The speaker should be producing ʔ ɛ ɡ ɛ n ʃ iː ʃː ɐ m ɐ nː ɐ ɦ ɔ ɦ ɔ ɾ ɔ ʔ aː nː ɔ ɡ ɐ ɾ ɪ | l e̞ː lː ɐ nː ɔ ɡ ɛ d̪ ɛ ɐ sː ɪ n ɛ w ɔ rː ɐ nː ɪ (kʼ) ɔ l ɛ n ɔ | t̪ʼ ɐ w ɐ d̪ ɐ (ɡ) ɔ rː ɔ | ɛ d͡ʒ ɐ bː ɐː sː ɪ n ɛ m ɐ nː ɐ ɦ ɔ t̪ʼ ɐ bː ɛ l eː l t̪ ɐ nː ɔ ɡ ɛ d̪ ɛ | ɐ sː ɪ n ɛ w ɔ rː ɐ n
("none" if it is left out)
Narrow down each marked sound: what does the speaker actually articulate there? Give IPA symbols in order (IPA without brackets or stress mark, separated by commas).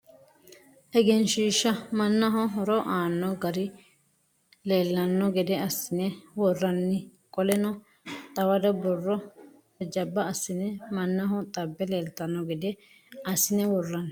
kʼ, b